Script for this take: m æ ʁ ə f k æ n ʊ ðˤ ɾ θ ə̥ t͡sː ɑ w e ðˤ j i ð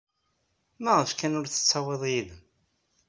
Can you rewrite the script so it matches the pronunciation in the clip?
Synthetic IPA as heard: m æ ʁ ə f k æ n ʊ ɾ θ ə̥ t͡sː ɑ w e ðˤ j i ð